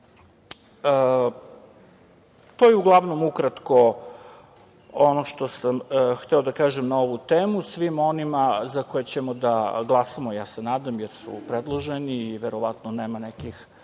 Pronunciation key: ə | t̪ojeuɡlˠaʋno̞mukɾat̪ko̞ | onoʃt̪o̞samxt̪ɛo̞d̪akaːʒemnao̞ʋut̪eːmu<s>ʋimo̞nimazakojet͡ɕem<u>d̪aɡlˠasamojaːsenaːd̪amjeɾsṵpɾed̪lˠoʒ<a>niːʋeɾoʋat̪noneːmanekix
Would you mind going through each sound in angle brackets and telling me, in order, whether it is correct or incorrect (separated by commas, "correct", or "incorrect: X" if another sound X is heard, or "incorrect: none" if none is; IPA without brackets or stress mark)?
correct, incorrect: o, incorrect: e